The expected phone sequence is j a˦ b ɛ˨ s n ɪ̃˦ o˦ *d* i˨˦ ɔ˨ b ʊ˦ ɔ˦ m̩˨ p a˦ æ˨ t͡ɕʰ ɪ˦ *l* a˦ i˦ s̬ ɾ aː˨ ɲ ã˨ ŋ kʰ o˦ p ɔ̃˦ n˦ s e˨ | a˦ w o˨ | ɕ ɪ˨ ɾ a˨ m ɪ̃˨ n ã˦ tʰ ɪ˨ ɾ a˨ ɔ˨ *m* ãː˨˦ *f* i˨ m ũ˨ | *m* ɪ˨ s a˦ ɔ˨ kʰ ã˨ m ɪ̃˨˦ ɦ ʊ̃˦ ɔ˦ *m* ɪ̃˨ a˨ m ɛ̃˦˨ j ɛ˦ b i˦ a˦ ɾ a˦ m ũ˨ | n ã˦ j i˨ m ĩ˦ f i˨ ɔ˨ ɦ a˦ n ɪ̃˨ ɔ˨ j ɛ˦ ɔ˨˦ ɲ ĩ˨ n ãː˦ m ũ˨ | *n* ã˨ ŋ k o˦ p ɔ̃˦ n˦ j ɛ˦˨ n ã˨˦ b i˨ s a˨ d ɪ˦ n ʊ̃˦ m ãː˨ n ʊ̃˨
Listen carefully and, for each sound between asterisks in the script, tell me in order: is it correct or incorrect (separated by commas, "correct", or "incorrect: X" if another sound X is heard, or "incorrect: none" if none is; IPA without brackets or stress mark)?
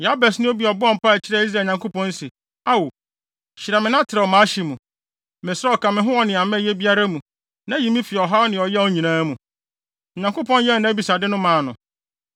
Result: incorrect: b, incorrect: ɾ, correct, incorrect: ɕ, correct, incorrect: n, incorrect: ɲ